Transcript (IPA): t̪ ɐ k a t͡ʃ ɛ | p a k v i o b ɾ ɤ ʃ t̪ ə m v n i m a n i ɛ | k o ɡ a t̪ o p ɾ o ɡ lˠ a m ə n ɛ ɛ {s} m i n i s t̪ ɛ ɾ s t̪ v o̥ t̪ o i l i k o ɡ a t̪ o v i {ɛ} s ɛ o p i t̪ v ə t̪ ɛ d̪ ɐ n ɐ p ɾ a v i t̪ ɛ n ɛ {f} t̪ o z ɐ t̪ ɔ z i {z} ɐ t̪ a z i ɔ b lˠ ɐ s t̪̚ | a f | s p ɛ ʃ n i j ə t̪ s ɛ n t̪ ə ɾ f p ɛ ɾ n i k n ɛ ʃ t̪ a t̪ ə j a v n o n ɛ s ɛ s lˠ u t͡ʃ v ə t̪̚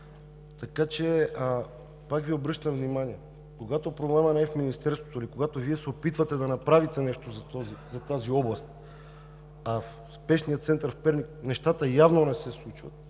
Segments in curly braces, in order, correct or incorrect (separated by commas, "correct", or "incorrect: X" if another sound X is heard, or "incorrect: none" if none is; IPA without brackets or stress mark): incorrect: f, correct, incorrect: ʃ, correct